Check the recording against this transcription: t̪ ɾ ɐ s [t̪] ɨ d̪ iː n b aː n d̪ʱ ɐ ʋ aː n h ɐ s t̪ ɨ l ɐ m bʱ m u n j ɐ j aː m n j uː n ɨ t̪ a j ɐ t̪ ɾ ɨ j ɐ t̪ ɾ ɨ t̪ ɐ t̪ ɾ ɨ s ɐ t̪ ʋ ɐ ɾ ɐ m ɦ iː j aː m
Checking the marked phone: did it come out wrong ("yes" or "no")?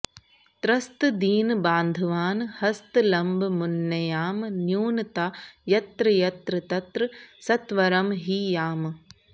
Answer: no